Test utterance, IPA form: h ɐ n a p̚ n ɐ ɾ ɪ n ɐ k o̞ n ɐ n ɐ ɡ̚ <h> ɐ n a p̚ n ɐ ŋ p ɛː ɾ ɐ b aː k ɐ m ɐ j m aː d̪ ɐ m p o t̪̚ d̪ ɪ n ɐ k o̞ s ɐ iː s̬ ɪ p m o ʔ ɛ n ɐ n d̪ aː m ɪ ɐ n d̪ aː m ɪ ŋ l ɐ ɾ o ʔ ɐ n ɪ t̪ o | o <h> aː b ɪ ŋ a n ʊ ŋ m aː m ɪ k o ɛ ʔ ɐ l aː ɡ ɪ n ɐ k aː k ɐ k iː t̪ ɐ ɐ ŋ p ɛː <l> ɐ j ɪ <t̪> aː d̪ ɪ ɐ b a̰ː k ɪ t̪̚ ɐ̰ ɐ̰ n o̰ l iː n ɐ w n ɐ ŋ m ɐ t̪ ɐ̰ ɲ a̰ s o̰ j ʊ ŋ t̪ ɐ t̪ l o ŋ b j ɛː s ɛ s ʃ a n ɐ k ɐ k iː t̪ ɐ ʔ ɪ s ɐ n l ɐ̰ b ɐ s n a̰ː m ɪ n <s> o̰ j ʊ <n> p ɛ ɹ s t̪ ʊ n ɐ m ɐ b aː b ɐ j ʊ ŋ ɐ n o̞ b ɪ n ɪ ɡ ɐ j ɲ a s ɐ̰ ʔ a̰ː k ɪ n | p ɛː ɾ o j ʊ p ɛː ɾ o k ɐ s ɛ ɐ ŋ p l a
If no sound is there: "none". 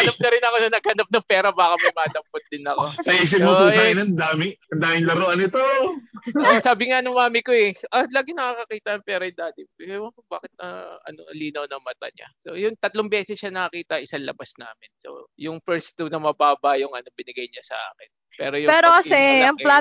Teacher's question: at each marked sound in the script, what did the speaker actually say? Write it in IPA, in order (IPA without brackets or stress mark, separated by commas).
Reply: h, s, ɾ, d̪, s, ŋ